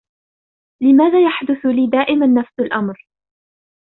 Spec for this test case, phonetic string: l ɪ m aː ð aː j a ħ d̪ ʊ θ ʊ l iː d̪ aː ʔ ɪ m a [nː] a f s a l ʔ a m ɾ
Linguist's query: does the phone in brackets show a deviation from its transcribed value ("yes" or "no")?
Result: no